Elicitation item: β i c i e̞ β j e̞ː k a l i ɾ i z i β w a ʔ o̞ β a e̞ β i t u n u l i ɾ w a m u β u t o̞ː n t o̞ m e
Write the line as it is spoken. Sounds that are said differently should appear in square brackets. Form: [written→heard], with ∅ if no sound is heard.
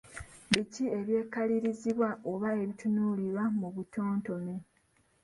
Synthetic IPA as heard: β i c i e̞ β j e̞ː k a l i ɾ i z i β w a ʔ o̞ β a e̞ β i t u n u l i ɾ w a m u β u t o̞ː n t o̞ m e